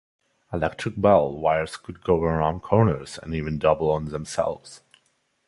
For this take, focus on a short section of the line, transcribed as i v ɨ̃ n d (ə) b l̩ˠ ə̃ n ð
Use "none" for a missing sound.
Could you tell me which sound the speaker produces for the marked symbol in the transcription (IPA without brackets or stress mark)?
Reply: ʌ